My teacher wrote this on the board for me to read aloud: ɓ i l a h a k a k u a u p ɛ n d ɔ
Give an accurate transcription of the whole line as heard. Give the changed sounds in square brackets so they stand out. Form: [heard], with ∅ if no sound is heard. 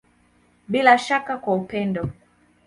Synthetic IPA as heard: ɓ i l a [ʃ] a k a k [w] a u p ɛ n d ɔ